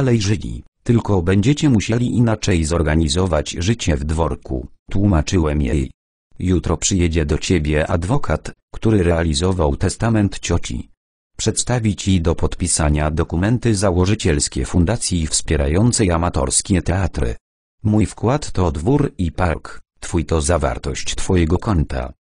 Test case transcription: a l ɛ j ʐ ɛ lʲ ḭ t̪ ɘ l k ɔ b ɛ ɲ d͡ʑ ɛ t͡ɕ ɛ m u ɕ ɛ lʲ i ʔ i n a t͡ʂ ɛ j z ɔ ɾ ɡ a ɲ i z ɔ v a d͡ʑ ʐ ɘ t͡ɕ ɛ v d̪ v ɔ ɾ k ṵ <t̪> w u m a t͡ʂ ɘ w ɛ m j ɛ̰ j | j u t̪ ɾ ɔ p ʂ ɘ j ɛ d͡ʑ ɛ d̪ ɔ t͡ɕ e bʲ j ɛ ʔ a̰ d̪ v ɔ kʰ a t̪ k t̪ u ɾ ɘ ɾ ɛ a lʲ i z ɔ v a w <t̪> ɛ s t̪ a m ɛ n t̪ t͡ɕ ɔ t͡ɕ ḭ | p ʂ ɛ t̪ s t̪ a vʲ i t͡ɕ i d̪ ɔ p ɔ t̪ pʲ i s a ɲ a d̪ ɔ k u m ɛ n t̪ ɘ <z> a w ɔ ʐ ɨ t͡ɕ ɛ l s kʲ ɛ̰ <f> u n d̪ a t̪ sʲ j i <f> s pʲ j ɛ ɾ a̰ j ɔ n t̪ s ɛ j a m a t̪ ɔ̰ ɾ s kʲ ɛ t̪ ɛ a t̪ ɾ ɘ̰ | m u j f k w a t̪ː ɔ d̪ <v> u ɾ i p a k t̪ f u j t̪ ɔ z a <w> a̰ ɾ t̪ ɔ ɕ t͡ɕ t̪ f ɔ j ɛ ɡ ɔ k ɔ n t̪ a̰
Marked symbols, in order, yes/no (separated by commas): yes, yes, yes, yes, yes, yes, no